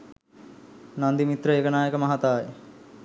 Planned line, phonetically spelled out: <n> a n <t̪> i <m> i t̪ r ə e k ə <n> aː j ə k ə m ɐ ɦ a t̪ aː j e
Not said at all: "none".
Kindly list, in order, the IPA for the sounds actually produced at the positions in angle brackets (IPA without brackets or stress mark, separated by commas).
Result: n, d̪, m, n